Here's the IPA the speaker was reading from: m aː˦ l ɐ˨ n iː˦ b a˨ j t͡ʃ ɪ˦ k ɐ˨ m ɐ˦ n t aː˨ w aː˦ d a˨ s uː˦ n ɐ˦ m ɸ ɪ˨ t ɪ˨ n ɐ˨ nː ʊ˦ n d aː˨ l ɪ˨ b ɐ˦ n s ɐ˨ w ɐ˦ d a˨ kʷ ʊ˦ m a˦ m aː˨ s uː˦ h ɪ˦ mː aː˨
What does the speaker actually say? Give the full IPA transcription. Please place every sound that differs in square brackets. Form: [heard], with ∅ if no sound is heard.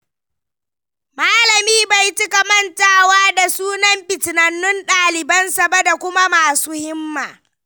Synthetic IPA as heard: m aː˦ l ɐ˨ [m] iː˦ b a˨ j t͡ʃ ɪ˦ k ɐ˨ m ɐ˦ n t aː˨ w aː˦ d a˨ s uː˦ n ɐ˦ m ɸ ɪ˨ t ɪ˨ n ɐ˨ nː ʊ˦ n [ɗ] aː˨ l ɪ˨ b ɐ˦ n s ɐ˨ [b] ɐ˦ d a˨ kʷ ʊ˦ m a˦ m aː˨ s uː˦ h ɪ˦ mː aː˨